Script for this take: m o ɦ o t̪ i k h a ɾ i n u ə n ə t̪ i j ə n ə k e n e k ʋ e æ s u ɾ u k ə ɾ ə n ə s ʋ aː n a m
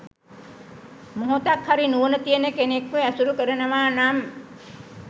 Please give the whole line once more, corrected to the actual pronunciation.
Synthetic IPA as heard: m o ɦ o t̪ a k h a ɾ i n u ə n ə t̪ i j ə n ə k e n e k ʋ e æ s u ɾ u k ə ɾ ə n ə ʋ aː n a m